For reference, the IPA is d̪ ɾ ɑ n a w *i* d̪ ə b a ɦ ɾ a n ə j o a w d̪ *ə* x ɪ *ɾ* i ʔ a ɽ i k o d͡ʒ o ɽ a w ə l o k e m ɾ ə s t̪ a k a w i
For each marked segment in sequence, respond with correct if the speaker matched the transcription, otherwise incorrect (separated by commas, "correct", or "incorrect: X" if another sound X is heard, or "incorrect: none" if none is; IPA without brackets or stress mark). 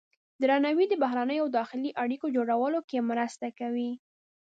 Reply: correct, incorrect: ɑ, incorrect: l